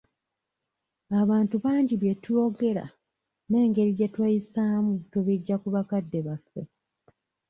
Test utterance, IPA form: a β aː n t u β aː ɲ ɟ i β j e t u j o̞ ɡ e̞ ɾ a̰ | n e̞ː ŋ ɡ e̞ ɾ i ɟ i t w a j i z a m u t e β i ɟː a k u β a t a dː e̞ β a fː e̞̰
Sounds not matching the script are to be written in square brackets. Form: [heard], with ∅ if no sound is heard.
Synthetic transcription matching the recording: a β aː n t u β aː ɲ ɟ i β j e t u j o̞ ɡ e̞ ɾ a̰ | n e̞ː ŋ ɡ e̞ ɾ i ɟ [e] t w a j i [s] a m u t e β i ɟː a k u β a [k] a dː e̞ β a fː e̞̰